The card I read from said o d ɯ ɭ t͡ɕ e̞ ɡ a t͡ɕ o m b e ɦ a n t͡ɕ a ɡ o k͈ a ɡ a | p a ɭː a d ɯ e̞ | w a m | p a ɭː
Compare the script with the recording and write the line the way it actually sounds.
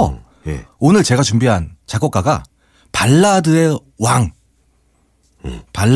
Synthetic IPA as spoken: o n ɯ ɭ t͡ɕ e̞ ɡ a t͡ɕ u m b i ɦ a n t͡ɕ a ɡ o k͈ a ɡ a | p a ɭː a d ɯ e̞ | w a ŋ | p a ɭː